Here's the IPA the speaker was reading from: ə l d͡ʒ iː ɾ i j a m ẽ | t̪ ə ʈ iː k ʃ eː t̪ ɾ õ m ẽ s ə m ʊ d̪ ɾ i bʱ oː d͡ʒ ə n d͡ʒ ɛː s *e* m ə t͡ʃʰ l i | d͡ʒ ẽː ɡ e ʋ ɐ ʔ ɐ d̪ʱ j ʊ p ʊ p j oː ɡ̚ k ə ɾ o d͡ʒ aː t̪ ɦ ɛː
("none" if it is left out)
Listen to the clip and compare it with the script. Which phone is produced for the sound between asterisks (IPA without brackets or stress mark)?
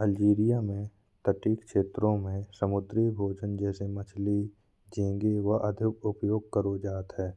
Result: e